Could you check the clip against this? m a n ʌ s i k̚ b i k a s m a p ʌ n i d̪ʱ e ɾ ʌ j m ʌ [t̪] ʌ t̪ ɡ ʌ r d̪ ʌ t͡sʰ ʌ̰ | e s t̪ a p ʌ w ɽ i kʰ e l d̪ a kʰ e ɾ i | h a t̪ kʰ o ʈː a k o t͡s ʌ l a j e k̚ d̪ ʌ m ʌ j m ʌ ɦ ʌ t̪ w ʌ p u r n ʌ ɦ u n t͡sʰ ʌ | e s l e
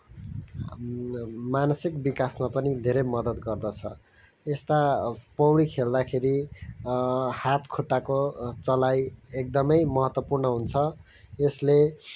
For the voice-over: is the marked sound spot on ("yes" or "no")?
no